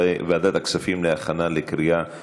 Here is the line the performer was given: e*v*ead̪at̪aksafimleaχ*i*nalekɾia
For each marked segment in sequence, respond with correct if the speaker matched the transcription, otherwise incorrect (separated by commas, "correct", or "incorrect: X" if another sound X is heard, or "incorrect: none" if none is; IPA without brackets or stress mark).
correct, incorrect: a